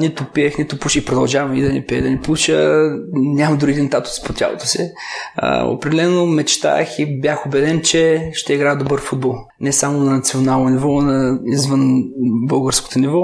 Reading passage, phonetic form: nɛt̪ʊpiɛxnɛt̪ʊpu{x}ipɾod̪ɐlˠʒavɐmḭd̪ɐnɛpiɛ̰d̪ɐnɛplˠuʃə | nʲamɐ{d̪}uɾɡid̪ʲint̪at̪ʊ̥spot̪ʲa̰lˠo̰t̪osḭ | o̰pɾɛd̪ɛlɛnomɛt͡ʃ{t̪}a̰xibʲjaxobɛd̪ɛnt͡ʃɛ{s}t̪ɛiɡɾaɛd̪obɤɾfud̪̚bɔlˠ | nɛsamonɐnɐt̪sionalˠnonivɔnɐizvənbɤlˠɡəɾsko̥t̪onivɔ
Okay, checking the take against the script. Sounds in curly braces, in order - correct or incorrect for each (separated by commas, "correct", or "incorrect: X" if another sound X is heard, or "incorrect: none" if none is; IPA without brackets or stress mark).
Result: incorrect: ʃ, correct, correct, incorrect: ʃ